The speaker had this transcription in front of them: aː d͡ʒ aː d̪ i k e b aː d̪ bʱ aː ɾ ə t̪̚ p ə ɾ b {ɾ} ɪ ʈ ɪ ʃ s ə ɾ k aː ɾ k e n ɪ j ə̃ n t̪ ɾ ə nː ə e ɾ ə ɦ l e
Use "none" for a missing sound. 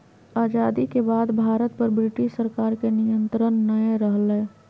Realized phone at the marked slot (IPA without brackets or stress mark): ɾ